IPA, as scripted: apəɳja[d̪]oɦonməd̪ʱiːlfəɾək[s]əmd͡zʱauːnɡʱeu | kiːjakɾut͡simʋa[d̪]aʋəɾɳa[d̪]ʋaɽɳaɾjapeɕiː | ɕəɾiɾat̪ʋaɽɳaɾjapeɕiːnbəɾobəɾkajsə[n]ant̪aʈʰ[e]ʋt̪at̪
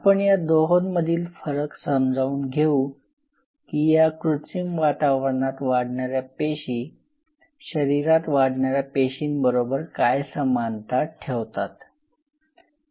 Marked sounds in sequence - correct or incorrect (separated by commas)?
correct, correct, incorrect, incorrect, incorrect, correct